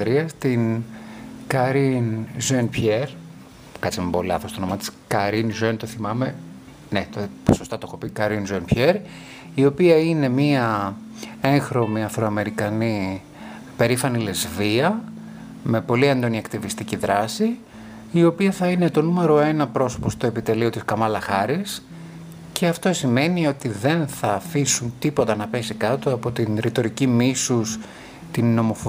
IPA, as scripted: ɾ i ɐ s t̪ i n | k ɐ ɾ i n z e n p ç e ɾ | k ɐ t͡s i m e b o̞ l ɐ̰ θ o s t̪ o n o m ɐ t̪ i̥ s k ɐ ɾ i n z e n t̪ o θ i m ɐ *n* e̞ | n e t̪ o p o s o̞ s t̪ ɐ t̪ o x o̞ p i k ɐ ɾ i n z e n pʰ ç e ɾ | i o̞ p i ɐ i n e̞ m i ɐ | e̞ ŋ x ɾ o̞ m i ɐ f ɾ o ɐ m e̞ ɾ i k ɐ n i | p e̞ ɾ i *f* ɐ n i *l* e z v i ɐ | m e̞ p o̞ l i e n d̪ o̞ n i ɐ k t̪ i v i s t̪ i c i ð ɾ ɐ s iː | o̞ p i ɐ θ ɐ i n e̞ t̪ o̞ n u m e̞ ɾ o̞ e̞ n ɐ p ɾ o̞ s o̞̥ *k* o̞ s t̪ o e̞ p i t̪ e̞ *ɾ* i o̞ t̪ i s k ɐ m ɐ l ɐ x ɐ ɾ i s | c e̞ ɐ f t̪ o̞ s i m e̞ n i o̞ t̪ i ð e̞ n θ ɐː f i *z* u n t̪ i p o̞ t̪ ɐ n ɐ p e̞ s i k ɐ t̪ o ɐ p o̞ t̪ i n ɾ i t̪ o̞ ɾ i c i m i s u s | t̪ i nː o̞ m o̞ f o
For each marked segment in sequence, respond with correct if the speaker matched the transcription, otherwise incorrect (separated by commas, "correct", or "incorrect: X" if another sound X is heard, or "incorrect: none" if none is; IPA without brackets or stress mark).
incorrect: m, correct, correct, incorrect: p, incorrect: l, incorrect: s